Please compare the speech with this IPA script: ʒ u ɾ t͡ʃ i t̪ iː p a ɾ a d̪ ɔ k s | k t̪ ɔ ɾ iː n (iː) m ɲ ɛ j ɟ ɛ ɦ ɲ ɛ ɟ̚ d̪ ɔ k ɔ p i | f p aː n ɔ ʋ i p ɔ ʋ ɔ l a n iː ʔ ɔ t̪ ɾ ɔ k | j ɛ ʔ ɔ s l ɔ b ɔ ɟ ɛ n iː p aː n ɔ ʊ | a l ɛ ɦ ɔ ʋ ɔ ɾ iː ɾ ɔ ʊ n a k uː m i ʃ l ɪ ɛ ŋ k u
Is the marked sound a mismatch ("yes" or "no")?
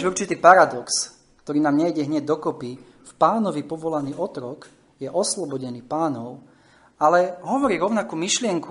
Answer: yes